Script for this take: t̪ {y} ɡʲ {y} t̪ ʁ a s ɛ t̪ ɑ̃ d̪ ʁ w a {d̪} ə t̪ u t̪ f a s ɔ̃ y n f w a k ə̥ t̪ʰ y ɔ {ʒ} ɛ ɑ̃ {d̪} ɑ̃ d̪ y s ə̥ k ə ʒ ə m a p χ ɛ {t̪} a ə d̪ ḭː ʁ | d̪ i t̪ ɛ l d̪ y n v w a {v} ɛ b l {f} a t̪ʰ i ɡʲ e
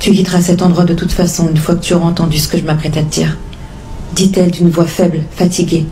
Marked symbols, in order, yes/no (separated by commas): yes, no, yes, no, no, yes, no, yes